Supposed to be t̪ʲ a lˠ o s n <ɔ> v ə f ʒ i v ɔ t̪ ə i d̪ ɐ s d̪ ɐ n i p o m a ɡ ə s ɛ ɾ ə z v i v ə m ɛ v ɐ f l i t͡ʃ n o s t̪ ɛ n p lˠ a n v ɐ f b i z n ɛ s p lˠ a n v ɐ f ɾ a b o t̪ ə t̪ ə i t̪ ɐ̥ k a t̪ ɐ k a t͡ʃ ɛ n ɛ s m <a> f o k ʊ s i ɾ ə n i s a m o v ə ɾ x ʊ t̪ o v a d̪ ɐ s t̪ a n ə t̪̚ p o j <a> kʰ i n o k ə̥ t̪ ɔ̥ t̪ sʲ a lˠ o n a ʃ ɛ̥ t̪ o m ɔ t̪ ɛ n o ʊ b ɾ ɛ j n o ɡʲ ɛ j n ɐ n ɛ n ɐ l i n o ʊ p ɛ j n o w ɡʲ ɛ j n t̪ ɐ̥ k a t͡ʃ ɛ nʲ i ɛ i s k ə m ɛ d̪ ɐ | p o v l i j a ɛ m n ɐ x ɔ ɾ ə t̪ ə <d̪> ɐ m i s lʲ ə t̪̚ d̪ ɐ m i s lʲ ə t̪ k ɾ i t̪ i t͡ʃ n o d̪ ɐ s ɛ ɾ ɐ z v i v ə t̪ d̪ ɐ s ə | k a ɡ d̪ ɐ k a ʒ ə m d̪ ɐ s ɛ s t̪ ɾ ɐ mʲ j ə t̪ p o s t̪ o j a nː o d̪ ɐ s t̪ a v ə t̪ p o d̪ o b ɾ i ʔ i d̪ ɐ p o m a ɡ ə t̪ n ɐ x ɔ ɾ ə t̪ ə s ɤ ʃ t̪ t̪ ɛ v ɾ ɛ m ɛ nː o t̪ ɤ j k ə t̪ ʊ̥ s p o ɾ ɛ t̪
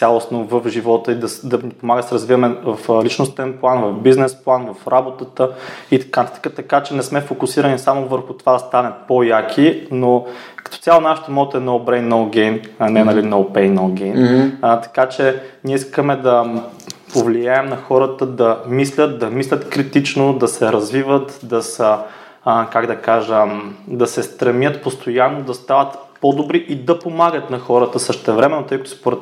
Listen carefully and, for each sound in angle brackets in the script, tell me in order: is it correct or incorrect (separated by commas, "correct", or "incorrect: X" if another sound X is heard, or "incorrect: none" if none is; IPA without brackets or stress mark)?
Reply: incorrect: o, incorrect: ɛ, correct, correct